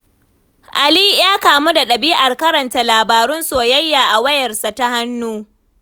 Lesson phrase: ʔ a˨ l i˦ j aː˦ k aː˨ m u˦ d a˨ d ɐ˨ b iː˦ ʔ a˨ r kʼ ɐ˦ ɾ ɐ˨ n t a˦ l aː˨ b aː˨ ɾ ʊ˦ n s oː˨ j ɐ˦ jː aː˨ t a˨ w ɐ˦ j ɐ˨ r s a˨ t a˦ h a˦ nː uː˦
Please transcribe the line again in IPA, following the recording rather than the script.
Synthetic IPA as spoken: ʔ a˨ l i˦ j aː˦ k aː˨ m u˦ d a˨ ɗ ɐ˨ b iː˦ ʔ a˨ r k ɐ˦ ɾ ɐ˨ n t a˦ l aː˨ b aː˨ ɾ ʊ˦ n s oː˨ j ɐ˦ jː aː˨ ʔ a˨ w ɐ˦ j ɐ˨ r s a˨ t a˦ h a˦ nː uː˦

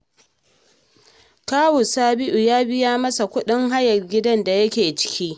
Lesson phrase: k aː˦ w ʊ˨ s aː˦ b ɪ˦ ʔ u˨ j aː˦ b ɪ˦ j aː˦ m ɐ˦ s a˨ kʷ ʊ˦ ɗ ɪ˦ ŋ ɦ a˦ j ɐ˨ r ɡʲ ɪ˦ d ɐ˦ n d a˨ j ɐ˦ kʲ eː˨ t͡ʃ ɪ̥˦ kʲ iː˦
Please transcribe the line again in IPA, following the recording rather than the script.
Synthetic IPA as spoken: k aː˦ w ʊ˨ s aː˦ b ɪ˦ ʔ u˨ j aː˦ b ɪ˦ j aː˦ m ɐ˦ s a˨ kʷ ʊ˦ ɗ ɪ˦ ŋ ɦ a˦ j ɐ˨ r ɡʲ ɪ˦ d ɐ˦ n d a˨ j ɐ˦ kʲ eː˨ t͡ʃ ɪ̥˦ kʲ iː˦

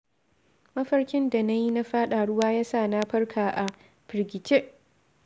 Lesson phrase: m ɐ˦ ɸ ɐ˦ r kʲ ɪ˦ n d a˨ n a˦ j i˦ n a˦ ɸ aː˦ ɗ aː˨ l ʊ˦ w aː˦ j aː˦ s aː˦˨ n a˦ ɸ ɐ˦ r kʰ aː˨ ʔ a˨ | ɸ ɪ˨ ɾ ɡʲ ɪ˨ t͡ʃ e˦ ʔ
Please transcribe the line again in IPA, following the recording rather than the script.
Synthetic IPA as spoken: m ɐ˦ ɸ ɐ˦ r kʲ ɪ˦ n d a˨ n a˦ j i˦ n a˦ ɸ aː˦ ɗ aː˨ ɽ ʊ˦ w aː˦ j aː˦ s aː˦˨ n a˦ ɸ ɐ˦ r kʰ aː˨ ʔ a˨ | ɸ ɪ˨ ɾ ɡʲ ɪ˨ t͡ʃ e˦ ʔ

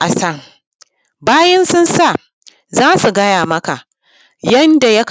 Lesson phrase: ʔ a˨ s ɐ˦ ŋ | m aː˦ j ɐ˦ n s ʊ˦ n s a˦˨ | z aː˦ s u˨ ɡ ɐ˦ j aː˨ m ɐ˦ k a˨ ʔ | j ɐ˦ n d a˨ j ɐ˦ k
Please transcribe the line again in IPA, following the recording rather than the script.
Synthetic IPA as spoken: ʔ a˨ s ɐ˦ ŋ | b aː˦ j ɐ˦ n s ʊ˦ n s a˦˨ | z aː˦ s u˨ ɡ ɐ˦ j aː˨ m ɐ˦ k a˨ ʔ | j ɐ˦ n d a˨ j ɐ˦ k

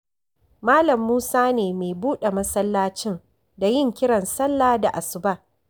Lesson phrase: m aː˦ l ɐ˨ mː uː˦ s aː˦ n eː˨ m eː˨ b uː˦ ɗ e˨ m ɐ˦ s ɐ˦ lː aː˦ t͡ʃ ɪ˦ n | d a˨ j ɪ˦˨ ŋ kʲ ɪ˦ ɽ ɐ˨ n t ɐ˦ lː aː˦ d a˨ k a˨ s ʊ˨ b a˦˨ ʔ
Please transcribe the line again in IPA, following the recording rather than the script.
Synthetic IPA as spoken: m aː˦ l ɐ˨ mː uː˦ s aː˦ n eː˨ m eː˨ b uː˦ ɗ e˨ m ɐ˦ s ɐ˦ lː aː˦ t͡ʃ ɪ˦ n | d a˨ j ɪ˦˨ ŋ kʲ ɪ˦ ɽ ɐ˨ n s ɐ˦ lː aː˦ d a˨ ʔ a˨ s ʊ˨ b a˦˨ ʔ

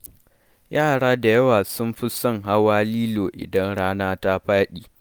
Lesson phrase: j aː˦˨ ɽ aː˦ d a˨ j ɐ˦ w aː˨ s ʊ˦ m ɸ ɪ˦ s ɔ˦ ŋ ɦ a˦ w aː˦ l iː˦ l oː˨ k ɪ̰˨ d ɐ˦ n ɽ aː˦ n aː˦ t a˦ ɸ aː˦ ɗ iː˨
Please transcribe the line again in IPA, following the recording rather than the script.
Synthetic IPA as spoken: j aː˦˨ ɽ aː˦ d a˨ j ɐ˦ w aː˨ s ʊ˦ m ɸ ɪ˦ s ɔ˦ ŋ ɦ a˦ w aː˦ l iː˦ l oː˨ ʔ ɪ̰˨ d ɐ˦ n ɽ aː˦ n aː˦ t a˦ ɸ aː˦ ɗ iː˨

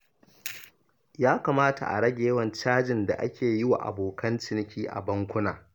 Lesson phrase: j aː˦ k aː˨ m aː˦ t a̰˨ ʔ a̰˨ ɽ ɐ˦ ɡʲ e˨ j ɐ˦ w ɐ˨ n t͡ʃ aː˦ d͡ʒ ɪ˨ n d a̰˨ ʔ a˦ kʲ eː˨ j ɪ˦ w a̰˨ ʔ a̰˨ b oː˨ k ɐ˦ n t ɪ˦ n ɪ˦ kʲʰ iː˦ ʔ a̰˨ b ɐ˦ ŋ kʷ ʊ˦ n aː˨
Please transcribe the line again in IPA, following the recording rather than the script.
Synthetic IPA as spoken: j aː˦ k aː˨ m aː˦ t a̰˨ ʔ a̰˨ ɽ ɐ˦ ɡʲ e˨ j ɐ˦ w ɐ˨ n t͡ʃ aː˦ d͡ʒ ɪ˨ n d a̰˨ ʔ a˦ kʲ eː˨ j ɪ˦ w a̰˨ ʔ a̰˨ b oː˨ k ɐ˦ n t͡ʃ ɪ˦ n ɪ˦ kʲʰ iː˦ ʔ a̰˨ b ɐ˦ ŋ kʷ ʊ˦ n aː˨

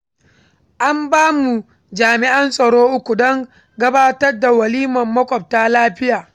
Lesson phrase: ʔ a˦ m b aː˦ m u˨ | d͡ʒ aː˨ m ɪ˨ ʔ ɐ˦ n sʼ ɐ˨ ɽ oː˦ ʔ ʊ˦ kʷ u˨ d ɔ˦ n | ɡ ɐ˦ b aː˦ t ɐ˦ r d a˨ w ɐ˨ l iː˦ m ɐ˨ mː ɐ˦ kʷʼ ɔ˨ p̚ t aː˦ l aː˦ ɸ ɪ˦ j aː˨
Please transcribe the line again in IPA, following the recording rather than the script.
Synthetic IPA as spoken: ʔ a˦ m b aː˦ m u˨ | d͡ʒ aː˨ m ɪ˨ ʔ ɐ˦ n sʼ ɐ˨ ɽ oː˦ ʔ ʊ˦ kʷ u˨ d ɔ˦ ŋ | ɡ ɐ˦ b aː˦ t ɐ˦ r d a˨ w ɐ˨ l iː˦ m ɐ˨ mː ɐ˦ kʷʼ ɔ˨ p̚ t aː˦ l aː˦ ɸ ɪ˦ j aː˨

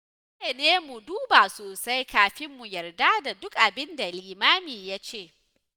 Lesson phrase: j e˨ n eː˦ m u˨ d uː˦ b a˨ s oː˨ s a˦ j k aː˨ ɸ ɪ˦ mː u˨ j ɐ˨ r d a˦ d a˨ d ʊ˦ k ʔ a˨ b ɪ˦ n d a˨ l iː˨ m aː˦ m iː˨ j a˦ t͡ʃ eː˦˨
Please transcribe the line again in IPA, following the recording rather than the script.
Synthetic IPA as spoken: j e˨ n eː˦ m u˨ d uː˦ b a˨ s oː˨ s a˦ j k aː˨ ɸ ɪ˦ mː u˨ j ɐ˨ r d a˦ d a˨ d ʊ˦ k ʔ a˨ b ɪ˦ n d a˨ l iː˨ m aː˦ m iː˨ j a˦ t͡ʃ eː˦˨

